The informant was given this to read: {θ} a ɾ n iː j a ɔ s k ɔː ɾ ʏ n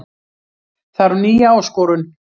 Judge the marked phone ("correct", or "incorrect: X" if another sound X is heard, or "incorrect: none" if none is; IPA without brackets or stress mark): correct